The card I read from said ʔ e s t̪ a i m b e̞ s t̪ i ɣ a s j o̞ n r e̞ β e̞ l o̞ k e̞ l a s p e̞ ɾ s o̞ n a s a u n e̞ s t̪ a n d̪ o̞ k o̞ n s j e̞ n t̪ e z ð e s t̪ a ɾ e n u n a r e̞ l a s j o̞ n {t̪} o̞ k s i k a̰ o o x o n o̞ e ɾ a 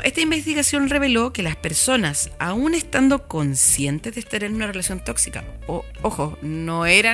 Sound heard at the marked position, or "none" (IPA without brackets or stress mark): t̪